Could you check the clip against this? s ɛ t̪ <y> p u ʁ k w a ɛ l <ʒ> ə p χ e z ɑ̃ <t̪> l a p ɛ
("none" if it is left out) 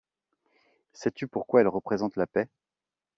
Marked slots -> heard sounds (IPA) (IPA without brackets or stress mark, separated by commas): y, ʁ, t̪